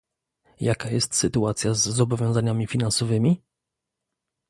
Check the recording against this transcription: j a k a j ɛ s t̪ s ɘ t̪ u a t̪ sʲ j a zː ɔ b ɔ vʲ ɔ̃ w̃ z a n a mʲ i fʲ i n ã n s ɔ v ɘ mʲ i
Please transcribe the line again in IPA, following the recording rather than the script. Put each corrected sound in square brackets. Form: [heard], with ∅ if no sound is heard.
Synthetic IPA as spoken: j a k a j ɛ s t̪ s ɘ t̪ u a t̪ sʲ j a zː ɔ b ɔ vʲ ɔ̃ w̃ z a [ɲ] a mʲ i fʲ i n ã n s ɔ v ɘ mʲ i